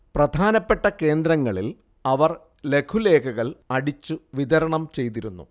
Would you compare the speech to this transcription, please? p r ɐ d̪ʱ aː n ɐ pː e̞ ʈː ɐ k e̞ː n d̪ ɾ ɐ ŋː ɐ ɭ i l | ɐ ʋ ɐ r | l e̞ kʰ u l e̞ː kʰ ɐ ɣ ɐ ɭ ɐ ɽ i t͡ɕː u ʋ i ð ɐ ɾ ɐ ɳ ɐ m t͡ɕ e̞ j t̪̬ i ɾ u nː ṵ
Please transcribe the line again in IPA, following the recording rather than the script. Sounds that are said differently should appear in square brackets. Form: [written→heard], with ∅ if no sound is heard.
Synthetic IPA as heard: p r ɐ d̪ʱ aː n ɐ pː e̞ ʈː ɐ k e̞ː n d̪ ɾ ɐ ŋː ɐ ɭ i l | ɐ ʋ ɐ r | l e̞ kʰ u l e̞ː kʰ ɐ ɣ ɐ ɭ ɐ ɽ i t͡ɕː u ʋ i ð ɐ ɾ ɐ ɳ ɐ m t͡ɕ e̞ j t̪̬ i ɾ u nː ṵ